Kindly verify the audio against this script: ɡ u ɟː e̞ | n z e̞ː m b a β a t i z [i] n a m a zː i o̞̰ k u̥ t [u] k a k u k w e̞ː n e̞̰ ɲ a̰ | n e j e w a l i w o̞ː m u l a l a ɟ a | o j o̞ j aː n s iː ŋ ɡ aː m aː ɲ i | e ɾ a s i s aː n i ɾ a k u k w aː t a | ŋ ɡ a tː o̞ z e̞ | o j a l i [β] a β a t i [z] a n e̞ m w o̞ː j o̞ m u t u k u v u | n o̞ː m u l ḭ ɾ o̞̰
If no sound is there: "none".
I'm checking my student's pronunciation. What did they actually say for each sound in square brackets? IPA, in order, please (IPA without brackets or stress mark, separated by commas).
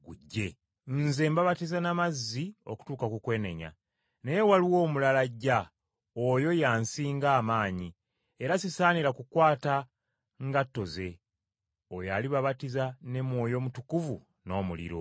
a, uː, β, z